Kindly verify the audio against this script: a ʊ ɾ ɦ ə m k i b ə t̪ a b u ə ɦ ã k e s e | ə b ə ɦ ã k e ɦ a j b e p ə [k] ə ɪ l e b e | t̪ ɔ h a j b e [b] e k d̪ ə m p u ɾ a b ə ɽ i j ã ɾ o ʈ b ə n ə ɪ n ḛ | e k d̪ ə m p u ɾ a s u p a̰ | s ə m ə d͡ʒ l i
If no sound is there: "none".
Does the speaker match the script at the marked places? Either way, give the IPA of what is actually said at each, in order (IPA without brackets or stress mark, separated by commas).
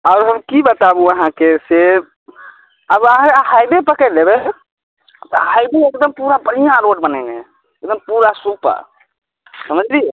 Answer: k, none